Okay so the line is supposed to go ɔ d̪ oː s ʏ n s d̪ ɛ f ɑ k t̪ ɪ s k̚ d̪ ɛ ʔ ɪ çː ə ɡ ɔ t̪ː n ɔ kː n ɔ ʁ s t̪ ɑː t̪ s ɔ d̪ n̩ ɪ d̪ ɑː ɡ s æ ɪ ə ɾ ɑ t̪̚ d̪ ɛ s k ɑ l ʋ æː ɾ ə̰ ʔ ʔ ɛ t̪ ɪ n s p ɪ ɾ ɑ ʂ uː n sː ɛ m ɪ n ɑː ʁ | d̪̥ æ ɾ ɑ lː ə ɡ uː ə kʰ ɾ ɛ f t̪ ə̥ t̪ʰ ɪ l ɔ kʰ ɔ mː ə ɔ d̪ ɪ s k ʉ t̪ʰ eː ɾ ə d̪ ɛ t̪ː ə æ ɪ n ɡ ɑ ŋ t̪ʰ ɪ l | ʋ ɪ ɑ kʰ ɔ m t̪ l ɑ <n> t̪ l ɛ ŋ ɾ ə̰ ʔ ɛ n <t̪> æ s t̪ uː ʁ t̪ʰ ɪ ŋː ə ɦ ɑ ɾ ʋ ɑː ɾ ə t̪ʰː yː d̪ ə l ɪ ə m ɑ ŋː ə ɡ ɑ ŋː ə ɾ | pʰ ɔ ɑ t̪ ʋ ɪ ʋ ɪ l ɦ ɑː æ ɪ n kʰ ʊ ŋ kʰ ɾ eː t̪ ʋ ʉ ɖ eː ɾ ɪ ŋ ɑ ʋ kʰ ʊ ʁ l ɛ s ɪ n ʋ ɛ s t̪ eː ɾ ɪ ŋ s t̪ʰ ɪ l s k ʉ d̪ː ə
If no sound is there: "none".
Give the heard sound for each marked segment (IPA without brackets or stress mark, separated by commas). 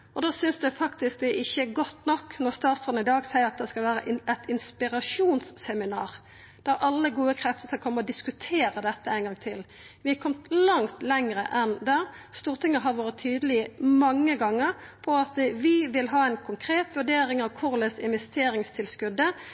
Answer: ŋ, d̪